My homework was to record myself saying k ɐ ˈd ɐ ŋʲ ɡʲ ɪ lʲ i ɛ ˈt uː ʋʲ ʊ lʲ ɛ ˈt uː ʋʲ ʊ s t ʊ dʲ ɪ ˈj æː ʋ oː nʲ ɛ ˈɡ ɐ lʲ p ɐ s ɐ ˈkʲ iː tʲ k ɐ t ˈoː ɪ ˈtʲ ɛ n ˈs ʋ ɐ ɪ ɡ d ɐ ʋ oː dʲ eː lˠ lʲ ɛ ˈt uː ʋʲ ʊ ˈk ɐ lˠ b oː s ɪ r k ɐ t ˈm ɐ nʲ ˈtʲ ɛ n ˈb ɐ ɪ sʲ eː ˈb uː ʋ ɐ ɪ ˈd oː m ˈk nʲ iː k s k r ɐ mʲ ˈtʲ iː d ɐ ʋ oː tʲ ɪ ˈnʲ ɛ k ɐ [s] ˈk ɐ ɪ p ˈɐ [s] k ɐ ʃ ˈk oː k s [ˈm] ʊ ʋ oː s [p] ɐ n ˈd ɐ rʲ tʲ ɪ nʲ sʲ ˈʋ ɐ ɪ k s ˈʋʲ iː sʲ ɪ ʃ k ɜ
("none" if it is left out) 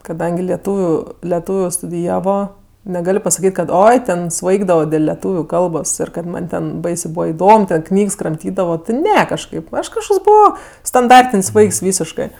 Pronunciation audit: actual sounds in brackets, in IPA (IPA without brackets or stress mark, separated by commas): ʃ, ʃ, b, t